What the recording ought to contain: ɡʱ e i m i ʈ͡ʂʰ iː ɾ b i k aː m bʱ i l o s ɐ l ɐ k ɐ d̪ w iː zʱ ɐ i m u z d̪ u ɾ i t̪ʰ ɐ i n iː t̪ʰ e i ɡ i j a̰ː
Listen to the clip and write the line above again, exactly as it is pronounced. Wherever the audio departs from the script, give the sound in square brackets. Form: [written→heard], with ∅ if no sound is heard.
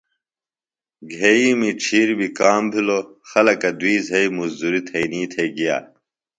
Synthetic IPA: ɡʱ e i m i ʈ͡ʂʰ iː ɾ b i k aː m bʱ i l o [s→x] ɐ l ɐ k ɐ d̪ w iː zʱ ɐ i m u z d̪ u ɾ i t̪ʰ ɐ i n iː t̪ʰ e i ɡ i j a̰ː